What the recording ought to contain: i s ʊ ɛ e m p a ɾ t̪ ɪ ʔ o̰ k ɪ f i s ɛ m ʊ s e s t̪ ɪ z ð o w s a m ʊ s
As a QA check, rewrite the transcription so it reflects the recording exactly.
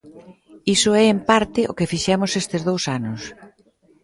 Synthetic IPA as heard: i s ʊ ɛ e m p a ɾ t̪ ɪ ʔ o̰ k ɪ f i ʃ ɛ m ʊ s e s t̪ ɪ z ð o w s a n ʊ s